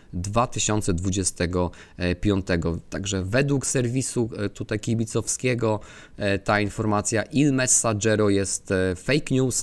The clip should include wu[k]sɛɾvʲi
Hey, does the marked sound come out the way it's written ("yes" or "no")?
yes